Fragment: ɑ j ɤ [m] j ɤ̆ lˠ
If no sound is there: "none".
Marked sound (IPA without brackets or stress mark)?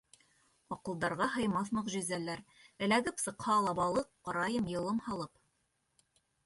m